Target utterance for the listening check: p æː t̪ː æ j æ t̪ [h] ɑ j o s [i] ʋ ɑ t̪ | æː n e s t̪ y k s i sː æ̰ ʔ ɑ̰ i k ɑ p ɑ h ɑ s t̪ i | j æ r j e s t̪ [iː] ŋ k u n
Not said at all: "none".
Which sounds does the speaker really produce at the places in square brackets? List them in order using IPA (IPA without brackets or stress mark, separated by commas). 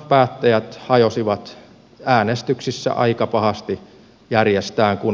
h, i, æː